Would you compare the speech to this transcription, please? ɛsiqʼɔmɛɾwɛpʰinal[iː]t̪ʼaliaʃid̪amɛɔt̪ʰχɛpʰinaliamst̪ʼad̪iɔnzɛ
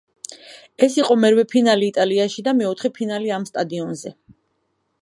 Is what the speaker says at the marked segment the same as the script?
yes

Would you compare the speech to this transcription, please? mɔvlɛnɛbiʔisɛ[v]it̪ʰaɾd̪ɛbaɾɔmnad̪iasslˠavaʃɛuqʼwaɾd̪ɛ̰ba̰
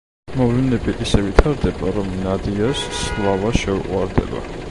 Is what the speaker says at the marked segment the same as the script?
yes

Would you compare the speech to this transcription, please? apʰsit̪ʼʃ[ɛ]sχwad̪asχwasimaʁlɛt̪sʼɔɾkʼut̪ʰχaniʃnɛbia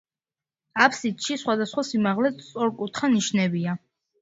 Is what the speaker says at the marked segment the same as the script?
no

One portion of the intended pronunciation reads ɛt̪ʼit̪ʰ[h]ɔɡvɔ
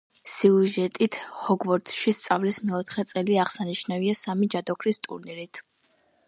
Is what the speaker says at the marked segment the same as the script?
yes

